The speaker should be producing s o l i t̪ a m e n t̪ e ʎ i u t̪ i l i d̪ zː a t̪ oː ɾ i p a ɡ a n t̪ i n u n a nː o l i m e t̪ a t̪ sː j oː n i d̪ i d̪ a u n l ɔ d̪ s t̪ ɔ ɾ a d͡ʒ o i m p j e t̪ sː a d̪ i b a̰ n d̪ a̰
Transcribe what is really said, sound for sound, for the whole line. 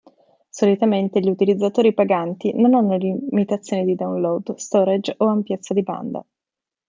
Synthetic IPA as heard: s o l i t̪ a m e n t̪ e ʎ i u t̪ i l i d̪ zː a t̪ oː ɾ i p a ɡ a n t̪ i n o n a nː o l i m i t̪ a t̪ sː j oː n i d̪ i d̪ a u n l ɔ d̪ s t̪ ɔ ɾ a d͡ʒ o a m p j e t̪ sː a d̪ i b a̰ n d̪ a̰